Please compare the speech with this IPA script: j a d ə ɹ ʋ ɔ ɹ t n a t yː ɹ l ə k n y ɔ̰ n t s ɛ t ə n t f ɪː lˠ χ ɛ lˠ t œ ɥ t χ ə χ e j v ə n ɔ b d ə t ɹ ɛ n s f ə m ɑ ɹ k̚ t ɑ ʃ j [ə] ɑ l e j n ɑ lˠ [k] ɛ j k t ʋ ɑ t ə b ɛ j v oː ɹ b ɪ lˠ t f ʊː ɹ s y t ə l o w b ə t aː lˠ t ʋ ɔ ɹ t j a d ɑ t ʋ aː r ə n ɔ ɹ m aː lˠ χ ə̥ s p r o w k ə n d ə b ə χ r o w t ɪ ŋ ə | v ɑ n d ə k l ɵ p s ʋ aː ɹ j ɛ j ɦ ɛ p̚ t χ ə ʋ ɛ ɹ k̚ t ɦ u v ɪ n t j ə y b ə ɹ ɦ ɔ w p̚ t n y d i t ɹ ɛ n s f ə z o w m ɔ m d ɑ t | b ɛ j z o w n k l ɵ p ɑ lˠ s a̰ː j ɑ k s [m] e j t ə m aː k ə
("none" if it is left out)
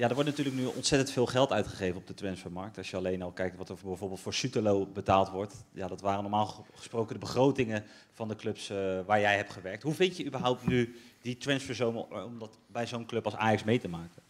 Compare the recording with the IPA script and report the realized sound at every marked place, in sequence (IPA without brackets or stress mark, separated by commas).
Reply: ə, k, m